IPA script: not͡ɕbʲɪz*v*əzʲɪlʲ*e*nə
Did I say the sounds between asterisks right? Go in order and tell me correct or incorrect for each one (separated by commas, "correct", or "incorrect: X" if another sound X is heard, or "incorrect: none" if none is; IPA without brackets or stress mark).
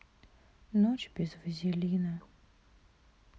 correct, incorrect: i